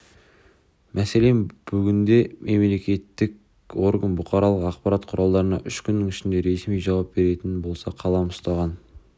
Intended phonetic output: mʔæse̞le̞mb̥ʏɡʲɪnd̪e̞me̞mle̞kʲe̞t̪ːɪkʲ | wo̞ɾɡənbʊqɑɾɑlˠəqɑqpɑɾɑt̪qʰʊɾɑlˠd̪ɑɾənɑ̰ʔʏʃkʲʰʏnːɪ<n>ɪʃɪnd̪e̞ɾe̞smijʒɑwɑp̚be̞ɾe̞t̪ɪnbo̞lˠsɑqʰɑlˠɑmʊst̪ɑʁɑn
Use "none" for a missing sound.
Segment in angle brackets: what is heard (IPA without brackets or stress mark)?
ŋ